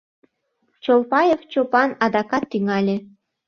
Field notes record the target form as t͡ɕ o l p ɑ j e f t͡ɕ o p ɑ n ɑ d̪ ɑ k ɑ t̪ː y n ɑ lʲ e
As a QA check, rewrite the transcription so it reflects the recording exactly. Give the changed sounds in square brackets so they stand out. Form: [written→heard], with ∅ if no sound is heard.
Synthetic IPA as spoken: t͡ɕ o l p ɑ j e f t͡ɕ o p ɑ n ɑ d̪ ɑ k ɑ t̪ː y [n→ŋ] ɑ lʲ e